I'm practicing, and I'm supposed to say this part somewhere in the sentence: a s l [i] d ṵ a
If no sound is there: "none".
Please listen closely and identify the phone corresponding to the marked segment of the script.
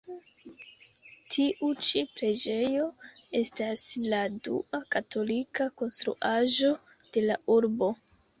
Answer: a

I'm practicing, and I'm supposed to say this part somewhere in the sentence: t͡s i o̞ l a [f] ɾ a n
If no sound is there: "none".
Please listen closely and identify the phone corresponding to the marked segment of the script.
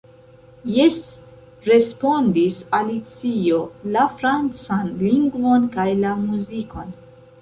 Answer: f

